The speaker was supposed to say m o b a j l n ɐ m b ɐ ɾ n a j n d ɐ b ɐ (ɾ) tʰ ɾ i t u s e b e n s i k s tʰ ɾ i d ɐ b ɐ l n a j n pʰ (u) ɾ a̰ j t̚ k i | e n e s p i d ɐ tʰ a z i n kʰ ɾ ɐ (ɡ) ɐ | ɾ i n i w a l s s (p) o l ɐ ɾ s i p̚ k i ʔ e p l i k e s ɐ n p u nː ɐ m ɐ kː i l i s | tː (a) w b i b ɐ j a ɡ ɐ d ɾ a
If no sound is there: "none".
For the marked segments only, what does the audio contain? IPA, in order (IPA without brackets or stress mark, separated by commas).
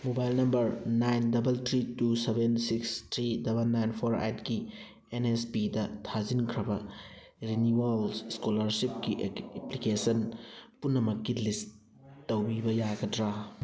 l, o, b, k, ɐ